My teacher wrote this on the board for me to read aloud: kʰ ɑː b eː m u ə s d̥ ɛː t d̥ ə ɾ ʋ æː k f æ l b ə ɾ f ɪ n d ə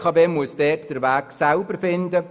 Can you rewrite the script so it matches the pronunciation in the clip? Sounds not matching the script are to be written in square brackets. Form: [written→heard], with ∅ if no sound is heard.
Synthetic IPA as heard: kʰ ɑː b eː m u ə s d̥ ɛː t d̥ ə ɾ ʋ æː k [f→s] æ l b ə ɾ f ɪ n d ə